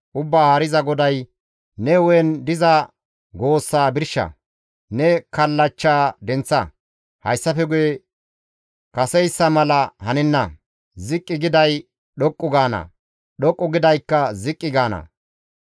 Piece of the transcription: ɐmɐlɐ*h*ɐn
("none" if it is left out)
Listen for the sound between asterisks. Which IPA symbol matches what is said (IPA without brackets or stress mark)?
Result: h